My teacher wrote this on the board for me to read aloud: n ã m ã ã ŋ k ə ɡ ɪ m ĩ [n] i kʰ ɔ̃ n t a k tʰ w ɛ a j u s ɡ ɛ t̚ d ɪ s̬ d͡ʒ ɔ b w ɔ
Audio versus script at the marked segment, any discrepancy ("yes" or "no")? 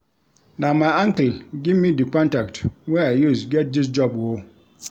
yes